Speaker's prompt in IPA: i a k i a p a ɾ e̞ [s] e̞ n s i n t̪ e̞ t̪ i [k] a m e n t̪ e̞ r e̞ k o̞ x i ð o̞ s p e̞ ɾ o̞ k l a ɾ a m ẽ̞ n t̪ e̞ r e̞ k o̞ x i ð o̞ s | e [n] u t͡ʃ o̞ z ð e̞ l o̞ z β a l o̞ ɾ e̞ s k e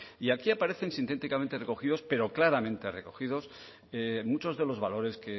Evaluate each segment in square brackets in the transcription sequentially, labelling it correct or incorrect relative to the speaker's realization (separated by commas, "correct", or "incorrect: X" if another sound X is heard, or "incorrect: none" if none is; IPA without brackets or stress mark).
incorrect: θ, correct, incorrect: m